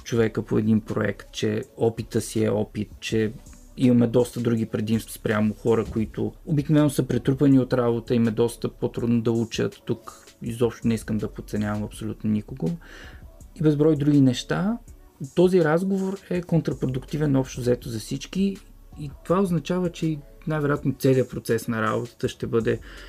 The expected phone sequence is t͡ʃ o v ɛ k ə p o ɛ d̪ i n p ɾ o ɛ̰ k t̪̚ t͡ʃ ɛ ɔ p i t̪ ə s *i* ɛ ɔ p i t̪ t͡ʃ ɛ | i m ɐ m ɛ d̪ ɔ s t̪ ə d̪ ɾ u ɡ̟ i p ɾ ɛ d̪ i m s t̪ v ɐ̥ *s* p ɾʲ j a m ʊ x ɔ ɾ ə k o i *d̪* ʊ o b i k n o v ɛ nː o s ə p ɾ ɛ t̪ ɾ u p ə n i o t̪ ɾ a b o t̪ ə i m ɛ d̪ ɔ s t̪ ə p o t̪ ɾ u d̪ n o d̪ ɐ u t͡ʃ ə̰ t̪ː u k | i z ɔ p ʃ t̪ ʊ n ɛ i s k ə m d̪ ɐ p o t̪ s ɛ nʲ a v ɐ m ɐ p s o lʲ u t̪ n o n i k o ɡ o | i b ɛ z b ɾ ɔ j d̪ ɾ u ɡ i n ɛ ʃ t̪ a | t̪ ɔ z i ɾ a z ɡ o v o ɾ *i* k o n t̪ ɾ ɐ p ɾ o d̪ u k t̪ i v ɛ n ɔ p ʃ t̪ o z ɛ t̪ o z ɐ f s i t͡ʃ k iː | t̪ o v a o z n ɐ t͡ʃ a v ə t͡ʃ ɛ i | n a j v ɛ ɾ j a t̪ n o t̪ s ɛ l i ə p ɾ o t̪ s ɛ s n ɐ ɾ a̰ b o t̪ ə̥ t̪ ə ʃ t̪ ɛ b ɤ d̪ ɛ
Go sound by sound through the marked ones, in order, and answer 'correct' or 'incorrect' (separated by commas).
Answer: correct, correct, incorrect, incorrect